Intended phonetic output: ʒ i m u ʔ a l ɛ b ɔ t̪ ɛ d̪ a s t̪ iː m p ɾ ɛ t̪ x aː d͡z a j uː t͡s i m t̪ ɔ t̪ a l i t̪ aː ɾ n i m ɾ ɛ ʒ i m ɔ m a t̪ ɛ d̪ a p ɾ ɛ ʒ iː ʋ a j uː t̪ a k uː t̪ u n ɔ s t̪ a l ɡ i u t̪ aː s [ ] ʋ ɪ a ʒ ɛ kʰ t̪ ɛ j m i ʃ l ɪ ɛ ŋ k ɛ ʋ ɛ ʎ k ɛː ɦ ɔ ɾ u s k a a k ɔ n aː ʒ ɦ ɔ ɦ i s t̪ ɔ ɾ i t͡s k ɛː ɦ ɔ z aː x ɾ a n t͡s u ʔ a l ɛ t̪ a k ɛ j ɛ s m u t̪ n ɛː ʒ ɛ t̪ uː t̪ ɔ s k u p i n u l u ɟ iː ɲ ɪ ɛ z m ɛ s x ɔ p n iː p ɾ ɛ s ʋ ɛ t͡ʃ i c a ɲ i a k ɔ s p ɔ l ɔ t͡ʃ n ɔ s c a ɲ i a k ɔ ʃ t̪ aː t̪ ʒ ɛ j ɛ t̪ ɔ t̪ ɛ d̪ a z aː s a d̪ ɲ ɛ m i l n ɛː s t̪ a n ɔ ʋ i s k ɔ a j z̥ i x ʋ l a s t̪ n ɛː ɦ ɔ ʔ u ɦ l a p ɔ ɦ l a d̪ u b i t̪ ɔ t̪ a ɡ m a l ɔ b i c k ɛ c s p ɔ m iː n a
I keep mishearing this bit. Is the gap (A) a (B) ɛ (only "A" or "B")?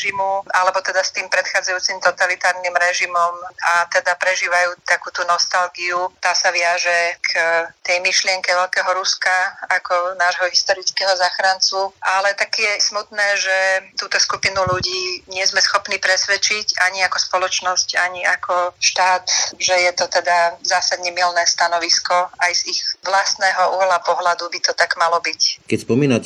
A